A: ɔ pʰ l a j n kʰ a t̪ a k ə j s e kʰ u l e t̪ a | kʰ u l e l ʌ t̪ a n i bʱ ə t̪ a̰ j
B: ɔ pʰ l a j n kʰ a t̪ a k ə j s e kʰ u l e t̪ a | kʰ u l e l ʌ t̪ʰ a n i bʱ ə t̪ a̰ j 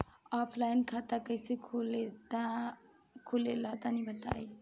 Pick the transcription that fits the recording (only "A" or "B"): A